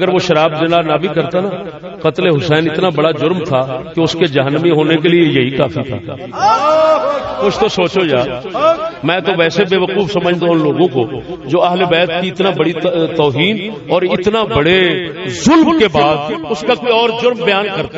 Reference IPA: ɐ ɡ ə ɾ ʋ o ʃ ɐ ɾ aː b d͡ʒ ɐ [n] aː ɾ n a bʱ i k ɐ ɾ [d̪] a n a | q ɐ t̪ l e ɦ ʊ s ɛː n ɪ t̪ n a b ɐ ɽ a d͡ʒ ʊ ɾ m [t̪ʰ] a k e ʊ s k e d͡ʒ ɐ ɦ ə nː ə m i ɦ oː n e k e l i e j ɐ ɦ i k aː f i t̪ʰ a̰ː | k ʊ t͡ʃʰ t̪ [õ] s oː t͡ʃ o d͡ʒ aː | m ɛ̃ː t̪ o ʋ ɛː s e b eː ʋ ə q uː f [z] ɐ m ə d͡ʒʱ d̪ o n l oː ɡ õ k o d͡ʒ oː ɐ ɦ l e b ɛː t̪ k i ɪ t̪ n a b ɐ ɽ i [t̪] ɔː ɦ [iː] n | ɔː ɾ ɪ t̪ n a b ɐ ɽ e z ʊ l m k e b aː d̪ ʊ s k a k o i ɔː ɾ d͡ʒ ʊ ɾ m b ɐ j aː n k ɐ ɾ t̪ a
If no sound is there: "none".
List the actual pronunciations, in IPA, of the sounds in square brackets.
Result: n, t̪, t̪ʰ, o, s, t̪, iː

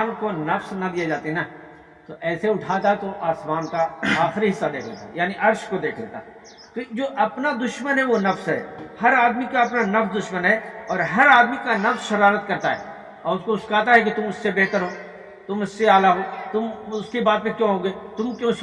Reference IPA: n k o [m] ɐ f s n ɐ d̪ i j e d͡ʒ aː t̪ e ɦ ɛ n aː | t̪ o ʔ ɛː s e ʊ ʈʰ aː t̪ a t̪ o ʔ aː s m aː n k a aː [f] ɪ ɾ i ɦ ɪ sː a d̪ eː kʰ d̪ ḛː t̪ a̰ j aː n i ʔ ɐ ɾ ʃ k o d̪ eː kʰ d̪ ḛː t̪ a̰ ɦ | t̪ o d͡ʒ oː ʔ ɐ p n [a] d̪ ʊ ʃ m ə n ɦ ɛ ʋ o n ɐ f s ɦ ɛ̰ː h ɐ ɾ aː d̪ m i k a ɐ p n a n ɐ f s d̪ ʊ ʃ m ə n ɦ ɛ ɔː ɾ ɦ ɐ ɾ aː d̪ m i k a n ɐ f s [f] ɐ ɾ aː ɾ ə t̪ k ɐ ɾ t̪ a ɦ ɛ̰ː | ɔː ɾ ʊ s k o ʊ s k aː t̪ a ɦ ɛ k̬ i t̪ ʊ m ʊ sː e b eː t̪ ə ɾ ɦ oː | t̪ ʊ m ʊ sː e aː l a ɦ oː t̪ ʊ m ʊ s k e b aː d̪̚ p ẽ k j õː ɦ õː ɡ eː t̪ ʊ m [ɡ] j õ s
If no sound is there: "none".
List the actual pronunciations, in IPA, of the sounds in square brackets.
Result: n, x, a, ʃ, k

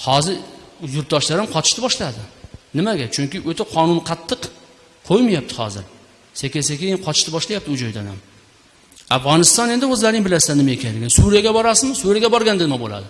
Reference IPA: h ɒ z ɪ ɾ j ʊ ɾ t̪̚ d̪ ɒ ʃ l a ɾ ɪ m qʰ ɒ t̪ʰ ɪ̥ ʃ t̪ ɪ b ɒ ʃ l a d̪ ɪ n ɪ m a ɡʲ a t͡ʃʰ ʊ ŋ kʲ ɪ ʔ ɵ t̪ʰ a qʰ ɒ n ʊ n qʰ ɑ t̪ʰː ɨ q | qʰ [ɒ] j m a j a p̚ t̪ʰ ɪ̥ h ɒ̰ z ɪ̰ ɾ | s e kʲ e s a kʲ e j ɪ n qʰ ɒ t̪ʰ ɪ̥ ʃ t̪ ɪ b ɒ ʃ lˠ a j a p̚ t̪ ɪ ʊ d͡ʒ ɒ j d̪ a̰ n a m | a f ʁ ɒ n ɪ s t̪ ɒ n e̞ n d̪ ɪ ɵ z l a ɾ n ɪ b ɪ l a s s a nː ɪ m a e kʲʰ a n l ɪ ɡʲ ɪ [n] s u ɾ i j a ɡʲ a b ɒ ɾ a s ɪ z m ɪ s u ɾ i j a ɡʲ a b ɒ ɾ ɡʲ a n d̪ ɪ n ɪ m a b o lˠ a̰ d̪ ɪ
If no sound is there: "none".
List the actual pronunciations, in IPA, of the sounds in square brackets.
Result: o, n

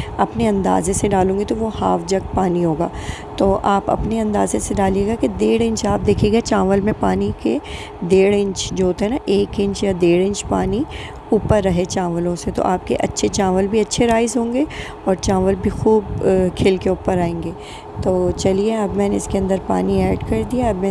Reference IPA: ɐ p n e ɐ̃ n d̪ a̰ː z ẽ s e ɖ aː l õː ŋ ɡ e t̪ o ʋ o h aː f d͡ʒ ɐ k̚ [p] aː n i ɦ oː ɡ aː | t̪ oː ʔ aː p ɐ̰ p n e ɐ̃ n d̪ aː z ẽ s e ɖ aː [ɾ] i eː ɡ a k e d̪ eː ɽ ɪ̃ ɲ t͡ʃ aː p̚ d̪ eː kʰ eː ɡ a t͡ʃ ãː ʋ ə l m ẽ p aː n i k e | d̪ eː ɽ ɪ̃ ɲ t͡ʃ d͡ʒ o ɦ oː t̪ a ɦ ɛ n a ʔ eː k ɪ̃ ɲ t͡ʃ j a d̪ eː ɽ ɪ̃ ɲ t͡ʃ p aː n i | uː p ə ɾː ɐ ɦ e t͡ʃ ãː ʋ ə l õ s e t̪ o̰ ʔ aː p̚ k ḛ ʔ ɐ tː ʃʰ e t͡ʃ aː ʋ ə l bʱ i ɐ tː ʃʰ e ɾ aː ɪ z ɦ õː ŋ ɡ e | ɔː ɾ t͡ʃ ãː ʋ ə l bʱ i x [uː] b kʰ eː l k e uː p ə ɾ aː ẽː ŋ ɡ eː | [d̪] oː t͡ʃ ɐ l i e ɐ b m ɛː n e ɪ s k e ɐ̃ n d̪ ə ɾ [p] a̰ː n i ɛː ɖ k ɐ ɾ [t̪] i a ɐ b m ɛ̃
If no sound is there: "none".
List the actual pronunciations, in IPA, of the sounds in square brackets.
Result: p, l, uː, t̪, p, d̪

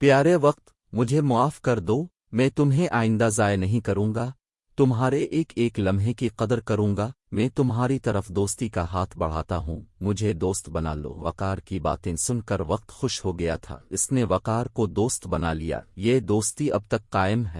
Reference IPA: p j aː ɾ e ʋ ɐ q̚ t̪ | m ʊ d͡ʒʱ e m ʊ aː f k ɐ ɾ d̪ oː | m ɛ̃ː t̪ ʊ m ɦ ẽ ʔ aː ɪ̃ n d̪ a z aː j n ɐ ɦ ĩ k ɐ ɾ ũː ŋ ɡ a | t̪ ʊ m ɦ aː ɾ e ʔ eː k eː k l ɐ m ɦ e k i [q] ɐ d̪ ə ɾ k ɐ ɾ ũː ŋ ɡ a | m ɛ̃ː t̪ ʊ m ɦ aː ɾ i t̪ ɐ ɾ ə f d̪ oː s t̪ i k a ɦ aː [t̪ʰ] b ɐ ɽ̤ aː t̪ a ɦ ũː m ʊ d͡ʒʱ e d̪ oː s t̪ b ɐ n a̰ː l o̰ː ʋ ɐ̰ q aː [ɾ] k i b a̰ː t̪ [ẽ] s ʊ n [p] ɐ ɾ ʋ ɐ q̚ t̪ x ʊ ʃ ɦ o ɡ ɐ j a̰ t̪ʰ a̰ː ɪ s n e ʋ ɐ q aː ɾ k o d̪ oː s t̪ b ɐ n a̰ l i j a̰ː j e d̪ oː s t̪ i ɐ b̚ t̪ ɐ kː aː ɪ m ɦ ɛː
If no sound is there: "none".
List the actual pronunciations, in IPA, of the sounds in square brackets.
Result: q, t̪ʰ, ɾ, ẽ, k

